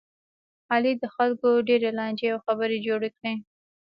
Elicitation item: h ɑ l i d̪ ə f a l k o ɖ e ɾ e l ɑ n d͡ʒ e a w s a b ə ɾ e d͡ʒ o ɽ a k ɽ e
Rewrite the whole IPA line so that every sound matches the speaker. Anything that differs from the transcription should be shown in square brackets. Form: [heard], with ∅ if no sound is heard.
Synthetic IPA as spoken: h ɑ l i d̪ ə [x] a l k o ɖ e ɾ e l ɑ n d͡ʒ e a w [x] a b ə ɾ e d͡ʒ o ɽ [e] k ɽ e